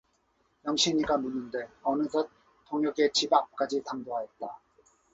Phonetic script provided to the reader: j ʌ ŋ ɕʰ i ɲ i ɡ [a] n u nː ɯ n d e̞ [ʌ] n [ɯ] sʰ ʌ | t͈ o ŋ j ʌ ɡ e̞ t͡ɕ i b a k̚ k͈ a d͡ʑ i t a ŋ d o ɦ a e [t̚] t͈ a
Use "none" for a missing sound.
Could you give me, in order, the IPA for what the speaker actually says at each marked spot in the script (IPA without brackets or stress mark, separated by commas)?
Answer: a, ʌ, ɯ, t̚